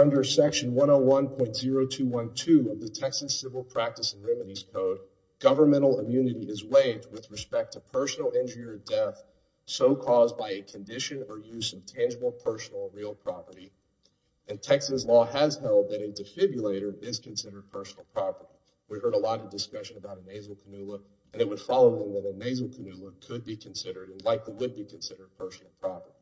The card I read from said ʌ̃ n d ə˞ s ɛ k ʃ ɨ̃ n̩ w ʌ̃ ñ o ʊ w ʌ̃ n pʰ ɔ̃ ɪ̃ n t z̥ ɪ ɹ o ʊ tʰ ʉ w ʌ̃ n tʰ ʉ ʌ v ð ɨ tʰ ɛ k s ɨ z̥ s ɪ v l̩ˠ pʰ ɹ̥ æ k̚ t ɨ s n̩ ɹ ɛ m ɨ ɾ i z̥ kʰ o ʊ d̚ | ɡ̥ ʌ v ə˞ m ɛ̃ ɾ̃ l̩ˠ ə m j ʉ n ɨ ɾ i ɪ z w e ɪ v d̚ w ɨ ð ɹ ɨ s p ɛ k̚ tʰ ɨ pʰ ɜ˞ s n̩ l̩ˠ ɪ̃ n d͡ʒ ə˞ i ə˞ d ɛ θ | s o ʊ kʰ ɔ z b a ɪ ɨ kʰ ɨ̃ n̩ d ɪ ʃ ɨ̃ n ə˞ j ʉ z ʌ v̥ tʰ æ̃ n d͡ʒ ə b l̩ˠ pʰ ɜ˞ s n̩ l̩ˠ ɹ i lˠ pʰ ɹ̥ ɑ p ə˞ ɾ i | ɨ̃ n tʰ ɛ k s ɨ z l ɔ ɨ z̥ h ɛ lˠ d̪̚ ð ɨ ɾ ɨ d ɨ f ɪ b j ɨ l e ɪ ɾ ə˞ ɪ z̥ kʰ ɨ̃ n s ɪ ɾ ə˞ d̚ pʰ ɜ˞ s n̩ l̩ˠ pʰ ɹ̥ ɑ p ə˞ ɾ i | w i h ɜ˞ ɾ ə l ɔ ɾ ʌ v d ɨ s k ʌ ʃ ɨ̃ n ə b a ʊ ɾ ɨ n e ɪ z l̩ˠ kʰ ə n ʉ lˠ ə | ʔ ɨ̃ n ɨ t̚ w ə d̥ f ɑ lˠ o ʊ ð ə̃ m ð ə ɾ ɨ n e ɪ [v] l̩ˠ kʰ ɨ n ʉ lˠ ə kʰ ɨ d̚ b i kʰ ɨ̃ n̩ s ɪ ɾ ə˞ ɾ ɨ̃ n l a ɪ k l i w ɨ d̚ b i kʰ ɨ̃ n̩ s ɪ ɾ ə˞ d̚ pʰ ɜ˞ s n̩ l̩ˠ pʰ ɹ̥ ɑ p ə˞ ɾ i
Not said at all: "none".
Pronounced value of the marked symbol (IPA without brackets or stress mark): z